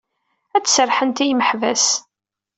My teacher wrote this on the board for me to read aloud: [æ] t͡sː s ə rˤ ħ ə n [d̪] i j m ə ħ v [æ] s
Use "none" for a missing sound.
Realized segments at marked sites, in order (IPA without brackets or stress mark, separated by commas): æ, t̪, æ